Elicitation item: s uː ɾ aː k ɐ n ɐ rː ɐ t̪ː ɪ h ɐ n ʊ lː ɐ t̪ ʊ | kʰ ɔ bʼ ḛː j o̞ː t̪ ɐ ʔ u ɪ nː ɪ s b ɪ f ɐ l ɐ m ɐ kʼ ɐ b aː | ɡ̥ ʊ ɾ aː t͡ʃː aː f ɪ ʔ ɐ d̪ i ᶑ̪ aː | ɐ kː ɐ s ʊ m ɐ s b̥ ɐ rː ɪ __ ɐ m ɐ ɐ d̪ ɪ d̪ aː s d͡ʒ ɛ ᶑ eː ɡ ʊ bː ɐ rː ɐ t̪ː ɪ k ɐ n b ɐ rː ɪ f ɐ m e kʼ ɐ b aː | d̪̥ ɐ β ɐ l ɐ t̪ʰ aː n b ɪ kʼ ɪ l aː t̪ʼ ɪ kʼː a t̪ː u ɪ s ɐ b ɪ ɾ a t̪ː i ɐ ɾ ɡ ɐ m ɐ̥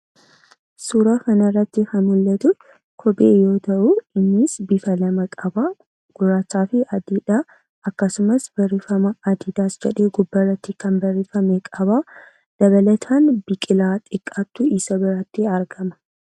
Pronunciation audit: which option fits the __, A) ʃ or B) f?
B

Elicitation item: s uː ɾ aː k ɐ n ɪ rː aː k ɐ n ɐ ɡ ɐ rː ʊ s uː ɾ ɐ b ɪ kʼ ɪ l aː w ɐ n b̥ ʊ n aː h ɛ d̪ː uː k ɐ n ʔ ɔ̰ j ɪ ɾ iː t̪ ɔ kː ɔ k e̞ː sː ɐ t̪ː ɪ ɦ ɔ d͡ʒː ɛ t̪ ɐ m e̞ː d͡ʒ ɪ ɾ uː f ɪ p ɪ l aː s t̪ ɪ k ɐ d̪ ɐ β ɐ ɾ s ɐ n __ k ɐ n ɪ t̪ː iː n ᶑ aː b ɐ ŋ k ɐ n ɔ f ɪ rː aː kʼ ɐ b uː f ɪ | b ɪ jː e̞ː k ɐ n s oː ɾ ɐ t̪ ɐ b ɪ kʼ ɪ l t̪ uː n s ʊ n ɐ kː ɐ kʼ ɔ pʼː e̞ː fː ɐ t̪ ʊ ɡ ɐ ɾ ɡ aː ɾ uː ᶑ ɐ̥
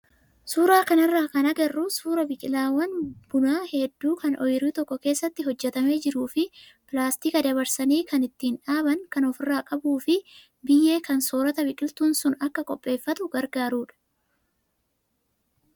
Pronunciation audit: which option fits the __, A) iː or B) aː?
A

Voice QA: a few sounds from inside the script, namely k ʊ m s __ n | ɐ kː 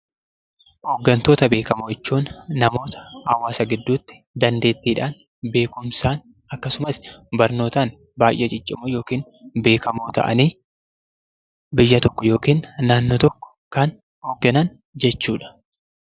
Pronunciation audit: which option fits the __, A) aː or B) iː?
A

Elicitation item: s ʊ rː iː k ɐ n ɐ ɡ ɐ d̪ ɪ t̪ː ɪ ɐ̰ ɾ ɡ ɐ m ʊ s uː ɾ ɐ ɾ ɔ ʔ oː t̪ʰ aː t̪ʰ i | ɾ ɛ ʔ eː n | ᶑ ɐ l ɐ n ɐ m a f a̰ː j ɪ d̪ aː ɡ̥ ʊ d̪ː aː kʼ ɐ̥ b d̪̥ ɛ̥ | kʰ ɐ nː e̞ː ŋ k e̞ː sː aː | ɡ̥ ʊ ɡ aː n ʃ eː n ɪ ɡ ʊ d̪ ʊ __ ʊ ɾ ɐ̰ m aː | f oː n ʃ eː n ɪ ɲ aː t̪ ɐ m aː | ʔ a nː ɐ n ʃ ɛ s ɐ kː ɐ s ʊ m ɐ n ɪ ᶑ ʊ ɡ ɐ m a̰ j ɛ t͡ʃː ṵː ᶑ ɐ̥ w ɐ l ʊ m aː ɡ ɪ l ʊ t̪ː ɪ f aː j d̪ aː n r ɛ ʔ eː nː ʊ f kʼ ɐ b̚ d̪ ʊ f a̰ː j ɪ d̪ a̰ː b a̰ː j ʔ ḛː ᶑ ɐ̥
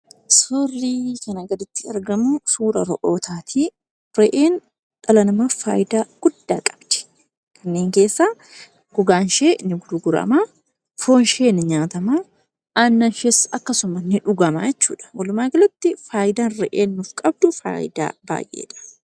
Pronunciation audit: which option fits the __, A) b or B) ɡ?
B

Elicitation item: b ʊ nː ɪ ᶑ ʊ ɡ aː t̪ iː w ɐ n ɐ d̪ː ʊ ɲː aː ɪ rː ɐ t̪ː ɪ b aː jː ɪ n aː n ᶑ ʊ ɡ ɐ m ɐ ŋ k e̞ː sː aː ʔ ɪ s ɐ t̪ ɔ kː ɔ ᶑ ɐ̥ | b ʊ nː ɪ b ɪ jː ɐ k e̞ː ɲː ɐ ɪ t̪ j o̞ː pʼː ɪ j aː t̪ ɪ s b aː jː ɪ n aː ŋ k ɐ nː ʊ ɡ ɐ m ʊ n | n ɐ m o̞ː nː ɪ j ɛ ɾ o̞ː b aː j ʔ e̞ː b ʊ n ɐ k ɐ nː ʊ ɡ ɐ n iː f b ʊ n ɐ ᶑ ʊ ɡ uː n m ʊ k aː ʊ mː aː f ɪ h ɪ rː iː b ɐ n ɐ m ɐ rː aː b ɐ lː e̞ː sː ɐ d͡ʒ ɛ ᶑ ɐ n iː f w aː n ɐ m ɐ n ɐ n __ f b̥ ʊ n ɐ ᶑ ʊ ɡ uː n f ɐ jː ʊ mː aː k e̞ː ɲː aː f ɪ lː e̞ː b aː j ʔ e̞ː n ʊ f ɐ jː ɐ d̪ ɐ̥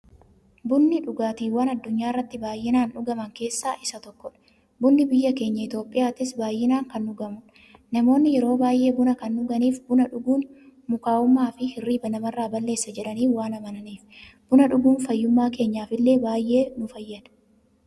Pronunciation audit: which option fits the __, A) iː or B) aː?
A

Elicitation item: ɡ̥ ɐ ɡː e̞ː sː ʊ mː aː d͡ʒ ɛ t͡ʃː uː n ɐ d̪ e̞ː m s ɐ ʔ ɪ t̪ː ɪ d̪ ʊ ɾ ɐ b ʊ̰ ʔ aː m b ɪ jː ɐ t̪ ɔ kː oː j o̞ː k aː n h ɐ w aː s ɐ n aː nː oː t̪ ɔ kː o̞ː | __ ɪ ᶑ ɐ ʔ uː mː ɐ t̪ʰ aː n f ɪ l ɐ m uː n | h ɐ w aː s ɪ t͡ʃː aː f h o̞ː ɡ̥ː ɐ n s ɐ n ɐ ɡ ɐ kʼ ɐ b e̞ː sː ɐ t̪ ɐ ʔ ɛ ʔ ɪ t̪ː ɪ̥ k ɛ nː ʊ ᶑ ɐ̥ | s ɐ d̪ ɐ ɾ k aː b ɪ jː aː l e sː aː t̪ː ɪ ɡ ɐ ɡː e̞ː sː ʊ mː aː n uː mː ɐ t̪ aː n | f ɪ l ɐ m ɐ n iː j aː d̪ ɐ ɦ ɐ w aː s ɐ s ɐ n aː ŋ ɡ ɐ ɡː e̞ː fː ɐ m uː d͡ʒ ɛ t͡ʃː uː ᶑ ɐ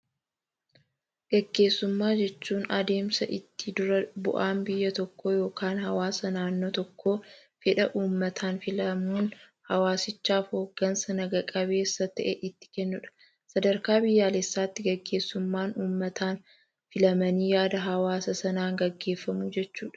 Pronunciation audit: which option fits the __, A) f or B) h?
A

